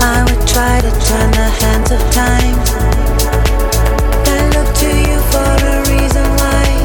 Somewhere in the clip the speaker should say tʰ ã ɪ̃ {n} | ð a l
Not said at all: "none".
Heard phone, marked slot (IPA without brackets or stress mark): m